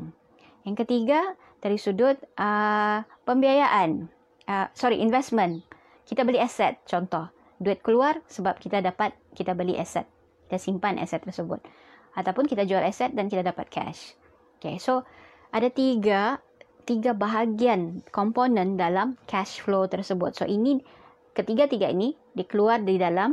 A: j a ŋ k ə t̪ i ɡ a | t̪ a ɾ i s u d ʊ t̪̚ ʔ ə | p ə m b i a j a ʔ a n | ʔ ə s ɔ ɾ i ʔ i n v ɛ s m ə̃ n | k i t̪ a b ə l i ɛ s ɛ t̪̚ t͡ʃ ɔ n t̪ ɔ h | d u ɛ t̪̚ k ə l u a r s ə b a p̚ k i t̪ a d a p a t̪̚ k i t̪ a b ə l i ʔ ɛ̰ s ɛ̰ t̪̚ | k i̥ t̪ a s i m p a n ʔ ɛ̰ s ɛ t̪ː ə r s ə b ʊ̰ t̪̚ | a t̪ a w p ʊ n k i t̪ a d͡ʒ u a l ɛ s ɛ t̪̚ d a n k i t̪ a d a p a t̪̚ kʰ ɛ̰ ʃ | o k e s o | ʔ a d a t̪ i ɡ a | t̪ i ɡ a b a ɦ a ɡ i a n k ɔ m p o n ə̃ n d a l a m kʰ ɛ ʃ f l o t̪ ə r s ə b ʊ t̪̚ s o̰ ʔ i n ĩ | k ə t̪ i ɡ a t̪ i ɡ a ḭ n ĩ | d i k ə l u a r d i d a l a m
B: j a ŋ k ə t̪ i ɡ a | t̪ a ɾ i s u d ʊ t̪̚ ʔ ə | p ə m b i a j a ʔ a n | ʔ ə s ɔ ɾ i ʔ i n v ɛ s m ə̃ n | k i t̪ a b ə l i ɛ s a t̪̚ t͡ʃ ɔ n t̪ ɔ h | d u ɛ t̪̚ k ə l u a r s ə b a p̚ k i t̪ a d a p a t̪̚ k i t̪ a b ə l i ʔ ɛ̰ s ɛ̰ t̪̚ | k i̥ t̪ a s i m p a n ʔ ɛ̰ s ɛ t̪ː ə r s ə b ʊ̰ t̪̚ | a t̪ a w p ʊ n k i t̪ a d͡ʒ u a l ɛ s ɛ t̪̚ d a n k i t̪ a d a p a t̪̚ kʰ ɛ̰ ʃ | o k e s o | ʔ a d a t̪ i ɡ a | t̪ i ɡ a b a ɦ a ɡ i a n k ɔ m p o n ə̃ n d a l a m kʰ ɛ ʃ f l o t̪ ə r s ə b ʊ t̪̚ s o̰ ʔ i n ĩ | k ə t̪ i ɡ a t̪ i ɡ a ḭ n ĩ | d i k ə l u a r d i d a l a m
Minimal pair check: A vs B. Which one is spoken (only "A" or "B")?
A